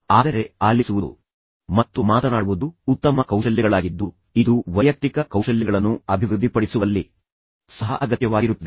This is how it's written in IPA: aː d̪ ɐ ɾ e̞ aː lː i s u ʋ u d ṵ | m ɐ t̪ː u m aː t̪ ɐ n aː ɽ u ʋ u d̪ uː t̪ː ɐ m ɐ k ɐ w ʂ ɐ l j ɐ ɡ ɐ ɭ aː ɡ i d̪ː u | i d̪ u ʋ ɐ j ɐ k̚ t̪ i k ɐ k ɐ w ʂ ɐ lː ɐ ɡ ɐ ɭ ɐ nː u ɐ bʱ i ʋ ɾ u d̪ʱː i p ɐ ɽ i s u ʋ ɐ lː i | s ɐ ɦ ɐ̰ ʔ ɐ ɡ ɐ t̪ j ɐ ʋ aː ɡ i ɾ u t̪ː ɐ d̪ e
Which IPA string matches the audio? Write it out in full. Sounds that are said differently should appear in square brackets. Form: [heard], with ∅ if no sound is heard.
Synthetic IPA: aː d̪ ɐ ɾ e̞ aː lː i s u ʋ u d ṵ | m ɐ t̪ː u m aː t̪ ɐ n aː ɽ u ʋ u d̪ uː t̪ː ɐ m ɐ k ɐ w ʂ ɐ l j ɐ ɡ ɐ ɭ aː ɡ i d̪ː u | i d̪ u ʋ ɐ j ɐ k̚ t̪ i k ɐ k ɐ w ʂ ɐ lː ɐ ɡ ɐ ɭ ɐ nː u ɐ bʱ i ʋ ɾ u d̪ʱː i p ɐ ɽ i s u ʋ ɐ lː i | s ɐ ɦ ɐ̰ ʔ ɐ ɡ ɐ t̪ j ɐ ʋ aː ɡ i ɾ u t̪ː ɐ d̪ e